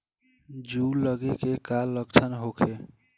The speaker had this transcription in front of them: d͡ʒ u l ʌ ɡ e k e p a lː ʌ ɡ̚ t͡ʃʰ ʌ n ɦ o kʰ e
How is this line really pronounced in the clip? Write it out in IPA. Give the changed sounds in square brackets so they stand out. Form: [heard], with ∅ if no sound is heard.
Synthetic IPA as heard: d͡ʒ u l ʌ ɡ e k e [k] a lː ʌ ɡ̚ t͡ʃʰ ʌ n ɦ o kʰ e